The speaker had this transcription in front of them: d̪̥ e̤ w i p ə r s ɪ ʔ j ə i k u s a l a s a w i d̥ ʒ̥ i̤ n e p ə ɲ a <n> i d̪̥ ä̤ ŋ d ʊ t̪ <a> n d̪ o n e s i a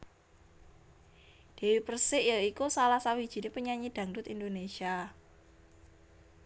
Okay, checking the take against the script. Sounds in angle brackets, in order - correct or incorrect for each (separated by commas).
incorrect, incorrect